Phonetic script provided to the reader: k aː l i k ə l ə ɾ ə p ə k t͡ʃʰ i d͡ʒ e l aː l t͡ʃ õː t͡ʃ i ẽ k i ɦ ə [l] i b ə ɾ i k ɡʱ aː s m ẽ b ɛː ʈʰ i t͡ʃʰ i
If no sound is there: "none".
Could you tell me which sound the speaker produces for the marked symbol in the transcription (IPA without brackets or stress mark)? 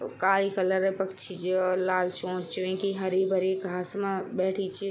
ɾ